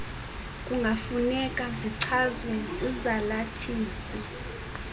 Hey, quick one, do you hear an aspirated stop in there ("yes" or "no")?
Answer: yes